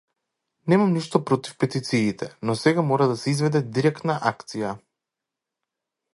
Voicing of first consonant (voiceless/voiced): voiced